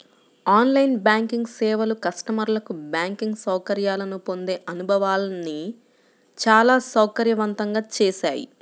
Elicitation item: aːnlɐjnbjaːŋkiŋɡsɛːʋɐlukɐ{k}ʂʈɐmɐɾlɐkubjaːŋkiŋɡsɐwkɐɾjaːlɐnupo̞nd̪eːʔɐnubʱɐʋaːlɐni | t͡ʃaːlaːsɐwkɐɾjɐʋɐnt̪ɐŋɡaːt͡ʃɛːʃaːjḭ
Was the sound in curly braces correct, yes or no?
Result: no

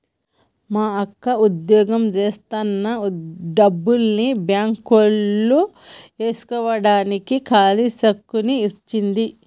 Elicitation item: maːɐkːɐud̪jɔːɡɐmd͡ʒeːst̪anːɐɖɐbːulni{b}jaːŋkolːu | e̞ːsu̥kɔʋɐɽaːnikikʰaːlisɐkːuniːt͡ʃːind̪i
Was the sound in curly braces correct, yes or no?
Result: yes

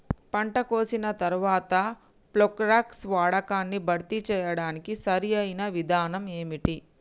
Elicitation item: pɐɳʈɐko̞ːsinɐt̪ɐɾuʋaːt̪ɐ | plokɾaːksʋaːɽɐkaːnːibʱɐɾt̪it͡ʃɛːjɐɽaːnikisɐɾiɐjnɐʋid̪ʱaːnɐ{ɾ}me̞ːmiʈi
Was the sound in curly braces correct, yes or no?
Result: no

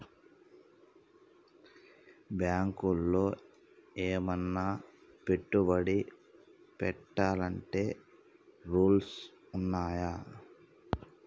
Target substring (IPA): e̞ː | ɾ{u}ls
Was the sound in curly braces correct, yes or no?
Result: no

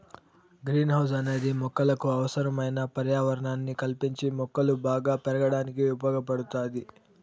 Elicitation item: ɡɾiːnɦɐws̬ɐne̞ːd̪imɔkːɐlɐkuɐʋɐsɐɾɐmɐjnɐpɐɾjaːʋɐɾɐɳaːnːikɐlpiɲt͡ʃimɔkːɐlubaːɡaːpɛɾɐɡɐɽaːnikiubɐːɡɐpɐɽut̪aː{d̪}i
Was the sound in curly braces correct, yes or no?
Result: yes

